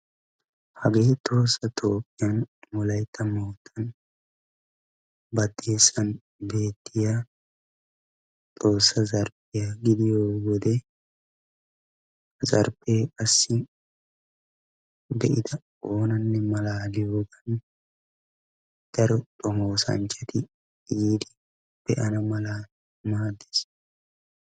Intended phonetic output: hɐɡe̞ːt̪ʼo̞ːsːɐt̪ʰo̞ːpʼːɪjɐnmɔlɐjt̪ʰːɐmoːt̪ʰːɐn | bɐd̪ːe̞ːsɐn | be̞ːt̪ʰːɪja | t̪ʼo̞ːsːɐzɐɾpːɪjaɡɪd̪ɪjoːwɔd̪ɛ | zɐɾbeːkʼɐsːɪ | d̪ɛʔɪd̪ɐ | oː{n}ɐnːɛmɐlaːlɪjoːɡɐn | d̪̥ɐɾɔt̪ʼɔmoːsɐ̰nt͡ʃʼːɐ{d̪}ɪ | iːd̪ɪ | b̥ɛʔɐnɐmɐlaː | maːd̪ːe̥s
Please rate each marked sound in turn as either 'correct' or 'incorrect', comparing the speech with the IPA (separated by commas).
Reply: correct, incorrect